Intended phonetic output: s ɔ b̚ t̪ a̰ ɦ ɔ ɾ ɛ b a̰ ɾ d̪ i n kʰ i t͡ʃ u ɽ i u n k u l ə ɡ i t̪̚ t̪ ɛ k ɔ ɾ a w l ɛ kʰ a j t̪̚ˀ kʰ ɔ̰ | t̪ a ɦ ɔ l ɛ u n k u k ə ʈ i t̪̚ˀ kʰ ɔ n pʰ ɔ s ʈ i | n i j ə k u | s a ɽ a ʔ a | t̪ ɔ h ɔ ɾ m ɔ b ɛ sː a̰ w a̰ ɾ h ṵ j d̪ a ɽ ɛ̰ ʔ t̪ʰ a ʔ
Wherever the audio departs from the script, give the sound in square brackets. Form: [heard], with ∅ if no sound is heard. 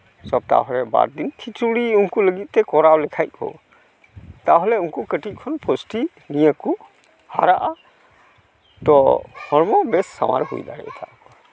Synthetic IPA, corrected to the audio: s ɔ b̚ t̪ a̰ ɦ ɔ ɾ ɛ b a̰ ɾ d̪ i n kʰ i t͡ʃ u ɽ i u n k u l ə ɡ i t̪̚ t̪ ɛ k ɔ ɾ a w l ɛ kʰ a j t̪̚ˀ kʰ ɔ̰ | t̪ a ɦ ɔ l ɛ u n k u k ə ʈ i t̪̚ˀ kʰ ɔ n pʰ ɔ s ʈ i | n i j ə k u | [h] a [ɾ] a ʔ a | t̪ ɔ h ɔ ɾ m ɔ b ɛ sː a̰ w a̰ ɾ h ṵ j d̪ a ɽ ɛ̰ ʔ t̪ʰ a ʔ